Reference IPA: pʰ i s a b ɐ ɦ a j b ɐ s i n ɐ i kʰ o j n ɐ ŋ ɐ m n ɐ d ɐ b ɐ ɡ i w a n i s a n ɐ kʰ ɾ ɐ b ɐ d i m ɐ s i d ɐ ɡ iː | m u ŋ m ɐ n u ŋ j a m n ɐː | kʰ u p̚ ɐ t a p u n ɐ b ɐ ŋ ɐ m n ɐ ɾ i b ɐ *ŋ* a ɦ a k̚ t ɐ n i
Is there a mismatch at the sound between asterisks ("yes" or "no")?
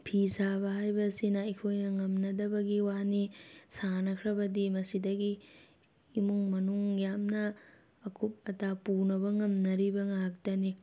no